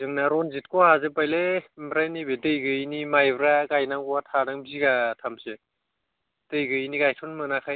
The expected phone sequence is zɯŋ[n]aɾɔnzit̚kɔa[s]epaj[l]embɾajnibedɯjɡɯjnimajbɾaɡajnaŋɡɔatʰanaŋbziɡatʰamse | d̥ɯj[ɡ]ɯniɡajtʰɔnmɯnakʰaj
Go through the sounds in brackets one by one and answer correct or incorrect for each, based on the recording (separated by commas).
correct, incorrect, correct, correct